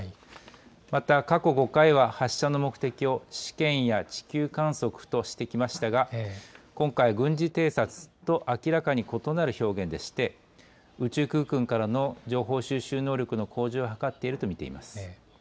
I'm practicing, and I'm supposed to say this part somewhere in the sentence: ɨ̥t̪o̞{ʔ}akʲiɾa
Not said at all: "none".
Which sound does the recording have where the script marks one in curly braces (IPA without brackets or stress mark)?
ʔ